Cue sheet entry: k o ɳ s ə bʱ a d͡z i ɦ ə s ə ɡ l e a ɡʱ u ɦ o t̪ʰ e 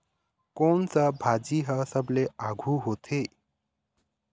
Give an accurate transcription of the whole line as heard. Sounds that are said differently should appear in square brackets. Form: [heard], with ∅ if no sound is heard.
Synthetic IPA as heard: k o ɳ [t͡s] ə bʱ a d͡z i ɦ ə s ə [b] l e a ɡʱ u ɦ o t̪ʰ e